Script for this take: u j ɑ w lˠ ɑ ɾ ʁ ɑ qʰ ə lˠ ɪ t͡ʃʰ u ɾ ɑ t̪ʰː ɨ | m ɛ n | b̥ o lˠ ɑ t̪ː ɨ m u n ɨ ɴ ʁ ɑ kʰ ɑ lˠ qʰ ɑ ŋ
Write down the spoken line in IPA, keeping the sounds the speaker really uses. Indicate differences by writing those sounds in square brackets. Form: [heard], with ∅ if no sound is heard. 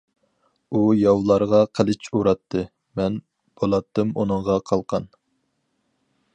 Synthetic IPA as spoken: u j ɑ w lˠ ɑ ɾ ʁ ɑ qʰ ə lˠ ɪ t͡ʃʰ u ɾ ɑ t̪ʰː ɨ | m ɛ n | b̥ o lˠ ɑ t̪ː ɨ m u n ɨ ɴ ʁ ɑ [qʰ] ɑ lˠ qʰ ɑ [n]